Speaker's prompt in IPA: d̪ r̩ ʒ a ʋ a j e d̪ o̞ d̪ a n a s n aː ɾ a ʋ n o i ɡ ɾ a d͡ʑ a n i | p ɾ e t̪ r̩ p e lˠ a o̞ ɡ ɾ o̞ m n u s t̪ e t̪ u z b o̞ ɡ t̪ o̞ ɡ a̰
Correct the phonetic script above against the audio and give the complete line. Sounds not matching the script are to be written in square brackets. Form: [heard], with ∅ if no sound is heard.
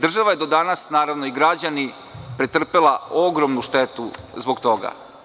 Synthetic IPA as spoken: d̪ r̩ ʒ a ʋ a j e d̪ o̞ d̪ a n a s n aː ɾ a ʋ n o i ɡ ɾ a d͡ʑ a n i | p ɾ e t̪ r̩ p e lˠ a o̞ ɡ ɾ o̞ m n u [ʃ] t̪ e t̪ u z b o̞ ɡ t̪ o̞ ɡ a̰